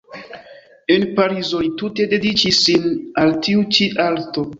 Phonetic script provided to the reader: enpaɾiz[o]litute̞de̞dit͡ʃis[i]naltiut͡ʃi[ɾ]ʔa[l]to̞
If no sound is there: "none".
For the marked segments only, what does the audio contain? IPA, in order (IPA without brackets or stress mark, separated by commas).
o, i, none, l